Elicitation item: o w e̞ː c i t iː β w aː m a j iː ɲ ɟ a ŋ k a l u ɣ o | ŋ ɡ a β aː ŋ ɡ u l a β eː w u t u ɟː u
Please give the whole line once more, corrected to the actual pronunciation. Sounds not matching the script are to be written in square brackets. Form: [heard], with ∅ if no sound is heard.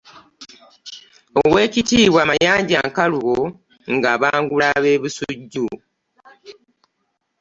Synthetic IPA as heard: o w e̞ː c i t iː β w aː m a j [aː] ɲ ɟ a ŋ k a l u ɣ o | ŋ ɡ a β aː ŋ ɡ u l a β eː [β] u [s] u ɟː u